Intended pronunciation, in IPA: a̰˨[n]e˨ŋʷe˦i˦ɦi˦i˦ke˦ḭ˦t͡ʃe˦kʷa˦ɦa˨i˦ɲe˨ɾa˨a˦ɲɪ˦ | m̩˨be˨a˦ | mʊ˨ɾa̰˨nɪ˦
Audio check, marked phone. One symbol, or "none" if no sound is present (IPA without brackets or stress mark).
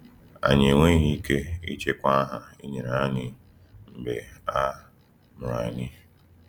ɲ